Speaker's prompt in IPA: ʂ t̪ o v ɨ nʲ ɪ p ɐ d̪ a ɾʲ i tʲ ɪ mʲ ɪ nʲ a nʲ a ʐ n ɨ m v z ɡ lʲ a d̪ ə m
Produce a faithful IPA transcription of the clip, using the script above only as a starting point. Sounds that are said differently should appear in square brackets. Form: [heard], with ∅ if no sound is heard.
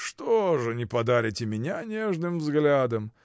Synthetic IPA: ʂ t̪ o [ʐ] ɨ nʲ ɪ p ɐ d̪ a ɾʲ [ɪ] tʲ ɪ mʲ ɪ nʲ a nʲ [e] ʐ n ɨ m v z ɡ lʲ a d̪ ə m